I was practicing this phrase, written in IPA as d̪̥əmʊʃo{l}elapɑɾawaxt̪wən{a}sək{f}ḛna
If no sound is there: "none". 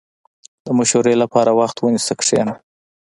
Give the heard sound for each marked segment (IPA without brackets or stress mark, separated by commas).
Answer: ɾ, i, ʂ